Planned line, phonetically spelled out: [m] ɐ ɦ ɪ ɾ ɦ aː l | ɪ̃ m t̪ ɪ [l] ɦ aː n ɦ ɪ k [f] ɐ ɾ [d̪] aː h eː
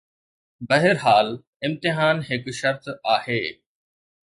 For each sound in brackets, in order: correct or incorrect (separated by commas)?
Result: incorrect, incorrect, incorrect, incorrect